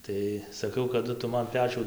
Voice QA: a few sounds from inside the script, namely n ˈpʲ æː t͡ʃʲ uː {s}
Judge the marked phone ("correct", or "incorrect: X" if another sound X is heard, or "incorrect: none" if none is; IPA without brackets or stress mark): incorrect: none